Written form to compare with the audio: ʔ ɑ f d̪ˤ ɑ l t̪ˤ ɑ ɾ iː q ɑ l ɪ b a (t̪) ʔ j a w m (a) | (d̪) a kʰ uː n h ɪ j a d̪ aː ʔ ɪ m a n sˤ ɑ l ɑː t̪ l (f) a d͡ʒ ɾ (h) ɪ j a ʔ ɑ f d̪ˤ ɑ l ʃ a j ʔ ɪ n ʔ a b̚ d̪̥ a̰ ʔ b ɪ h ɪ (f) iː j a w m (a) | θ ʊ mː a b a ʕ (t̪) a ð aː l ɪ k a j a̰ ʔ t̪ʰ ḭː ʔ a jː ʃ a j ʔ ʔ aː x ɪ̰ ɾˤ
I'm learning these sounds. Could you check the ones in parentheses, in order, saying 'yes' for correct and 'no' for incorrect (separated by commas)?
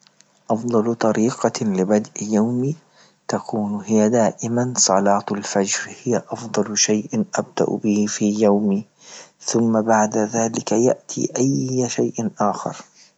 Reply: no, no, no, yes, yes, yes, no, no